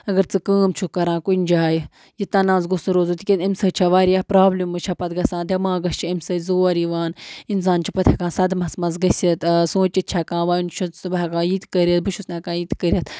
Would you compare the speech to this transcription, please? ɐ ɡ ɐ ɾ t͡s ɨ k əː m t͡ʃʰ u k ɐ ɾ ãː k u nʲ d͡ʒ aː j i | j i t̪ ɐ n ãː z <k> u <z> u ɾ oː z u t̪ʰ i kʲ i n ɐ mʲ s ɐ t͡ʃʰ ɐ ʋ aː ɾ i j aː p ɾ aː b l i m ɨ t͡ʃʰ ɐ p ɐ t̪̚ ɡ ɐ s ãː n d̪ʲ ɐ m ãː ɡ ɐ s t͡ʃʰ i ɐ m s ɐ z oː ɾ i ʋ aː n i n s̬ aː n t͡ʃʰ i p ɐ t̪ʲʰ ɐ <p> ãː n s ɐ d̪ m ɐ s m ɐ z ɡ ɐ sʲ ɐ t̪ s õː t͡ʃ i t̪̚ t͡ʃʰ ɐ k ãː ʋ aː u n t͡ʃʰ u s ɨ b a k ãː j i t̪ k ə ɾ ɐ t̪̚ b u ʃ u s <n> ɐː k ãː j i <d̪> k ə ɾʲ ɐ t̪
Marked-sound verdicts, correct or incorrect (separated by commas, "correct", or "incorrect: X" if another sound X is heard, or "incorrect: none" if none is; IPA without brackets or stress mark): incorrect: ɡ, incorrect: s, incorrect: k, correct, incorrect: t̪